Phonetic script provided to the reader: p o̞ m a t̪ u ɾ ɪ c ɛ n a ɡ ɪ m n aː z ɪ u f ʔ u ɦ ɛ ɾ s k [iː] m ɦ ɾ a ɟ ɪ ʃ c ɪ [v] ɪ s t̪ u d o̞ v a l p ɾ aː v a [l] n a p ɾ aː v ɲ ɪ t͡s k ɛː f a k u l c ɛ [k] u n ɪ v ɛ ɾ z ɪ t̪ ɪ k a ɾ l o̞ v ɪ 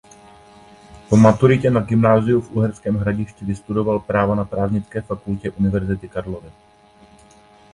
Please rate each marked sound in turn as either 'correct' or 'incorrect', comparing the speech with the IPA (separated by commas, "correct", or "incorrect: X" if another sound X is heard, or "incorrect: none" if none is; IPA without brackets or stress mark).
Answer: incorrect: ɛː, correct, incorrect: none, incorrect: ʔ